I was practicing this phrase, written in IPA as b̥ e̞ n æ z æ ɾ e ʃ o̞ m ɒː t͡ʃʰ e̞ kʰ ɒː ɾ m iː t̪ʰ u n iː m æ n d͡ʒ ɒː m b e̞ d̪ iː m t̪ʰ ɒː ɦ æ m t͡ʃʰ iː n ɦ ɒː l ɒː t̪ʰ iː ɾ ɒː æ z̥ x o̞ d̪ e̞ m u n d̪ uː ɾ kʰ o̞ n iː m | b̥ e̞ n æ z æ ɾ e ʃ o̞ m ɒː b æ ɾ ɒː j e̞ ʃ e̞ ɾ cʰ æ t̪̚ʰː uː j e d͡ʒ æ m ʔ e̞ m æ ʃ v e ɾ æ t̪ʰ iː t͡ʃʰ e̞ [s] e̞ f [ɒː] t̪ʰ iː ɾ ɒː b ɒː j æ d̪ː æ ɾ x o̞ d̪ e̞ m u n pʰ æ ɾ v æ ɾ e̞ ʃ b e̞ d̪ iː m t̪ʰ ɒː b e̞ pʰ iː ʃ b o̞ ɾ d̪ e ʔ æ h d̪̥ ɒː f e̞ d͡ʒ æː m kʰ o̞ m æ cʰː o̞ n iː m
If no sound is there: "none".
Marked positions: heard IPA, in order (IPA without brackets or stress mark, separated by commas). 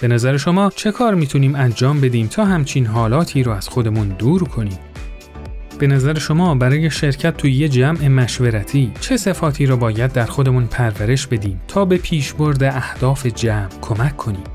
s, ɒː